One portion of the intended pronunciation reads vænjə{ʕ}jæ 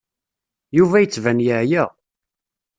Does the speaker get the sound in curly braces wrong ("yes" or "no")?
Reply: no